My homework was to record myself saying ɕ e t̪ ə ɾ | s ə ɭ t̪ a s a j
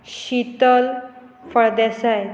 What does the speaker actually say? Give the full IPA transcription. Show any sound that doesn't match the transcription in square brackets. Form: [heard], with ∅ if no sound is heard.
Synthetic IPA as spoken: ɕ [i] t̪ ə [l] | [f] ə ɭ [d̪] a s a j